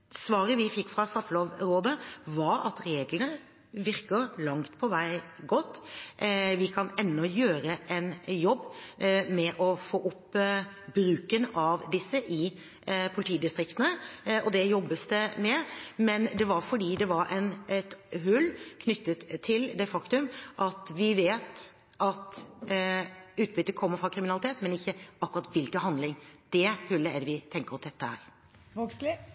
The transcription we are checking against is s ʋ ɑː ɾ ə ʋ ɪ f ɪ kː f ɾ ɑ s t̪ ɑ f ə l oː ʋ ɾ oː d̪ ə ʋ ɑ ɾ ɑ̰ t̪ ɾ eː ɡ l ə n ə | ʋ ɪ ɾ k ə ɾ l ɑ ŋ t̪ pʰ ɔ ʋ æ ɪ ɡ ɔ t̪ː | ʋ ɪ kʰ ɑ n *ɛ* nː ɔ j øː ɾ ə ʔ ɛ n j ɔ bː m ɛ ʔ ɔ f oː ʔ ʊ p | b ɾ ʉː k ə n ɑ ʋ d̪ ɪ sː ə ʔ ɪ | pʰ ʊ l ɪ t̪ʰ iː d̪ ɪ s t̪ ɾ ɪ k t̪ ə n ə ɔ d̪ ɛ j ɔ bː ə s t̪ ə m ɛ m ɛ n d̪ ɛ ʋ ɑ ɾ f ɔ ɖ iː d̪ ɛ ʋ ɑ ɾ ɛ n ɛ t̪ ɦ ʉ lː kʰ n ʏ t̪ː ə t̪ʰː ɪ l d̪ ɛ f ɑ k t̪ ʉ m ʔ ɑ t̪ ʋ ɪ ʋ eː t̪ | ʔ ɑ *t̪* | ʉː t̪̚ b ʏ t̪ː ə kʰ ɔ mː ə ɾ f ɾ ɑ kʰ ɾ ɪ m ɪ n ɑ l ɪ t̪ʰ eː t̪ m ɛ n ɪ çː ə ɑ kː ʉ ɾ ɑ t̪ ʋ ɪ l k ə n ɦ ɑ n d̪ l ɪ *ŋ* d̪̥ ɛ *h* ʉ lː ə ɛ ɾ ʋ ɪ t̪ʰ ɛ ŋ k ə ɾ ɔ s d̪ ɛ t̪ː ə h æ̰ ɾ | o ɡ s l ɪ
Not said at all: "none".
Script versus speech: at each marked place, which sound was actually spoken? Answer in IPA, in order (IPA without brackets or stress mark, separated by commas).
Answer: ɛ, t̪, ŋ, h